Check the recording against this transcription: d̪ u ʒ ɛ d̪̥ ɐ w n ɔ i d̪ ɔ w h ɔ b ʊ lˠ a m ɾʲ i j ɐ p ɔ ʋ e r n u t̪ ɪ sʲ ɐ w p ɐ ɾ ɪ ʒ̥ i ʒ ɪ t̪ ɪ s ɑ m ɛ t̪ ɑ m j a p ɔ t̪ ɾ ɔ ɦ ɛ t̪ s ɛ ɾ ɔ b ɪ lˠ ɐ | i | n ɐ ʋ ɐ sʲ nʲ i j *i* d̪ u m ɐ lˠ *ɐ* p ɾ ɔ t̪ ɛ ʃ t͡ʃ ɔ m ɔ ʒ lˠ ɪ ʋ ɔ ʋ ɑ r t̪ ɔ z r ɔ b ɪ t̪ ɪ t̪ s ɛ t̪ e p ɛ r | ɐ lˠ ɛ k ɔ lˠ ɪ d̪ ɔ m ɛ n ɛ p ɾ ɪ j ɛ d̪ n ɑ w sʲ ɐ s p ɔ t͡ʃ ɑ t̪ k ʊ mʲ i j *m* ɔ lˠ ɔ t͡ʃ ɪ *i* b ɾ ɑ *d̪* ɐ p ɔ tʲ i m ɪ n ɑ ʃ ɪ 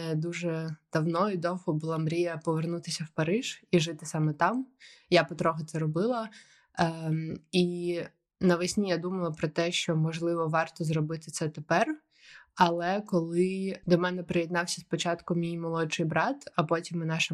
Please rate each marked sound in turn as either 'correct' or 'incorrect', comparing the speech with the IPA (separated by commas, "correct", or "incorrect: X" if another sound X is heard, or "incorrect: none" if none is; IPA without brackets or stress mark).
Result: incorrect: a, correct, correct, incorrect: j, incorrect: t̪